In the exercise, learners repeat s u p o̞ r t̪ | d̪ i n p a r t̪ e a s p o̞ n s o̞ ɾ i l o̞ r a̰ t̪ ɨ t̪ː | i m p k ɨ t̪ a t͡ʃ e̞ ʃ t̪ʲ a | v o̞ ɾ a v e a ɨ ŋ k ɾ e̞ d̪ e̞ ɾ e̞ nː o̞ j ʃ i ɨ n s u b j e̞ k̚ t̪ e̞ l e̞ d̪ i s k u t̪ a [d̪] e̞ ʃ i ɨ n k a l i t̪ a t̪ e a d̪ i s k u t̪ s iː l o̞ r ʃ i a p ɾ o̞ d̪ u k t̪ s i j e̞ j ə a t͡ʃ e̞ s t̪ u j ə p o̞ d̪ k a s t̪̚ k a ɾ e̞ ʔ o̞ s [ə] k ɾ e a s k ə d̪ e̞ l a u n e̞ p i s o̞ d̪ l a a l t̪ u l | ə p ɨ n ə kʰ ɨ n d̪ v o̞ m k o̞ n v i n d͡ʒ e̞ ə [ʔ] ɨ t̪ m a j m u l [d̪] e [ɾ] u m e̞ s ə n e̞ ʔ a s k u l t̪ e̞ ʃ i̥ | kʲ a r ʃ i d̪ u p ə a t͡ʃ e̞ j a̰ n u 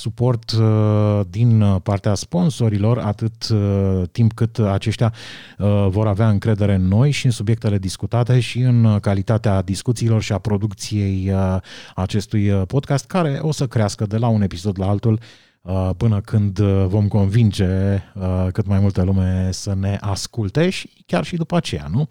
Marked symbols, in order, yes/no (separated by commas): no, yes, no, no, no